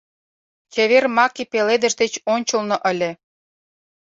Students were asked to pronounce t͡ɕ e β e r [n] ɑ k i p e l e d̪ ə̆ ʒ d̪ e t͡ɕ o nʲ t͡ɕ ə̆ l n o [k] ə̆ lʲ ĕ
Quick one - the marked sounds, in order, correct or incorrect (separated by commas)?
incorrect, incorrect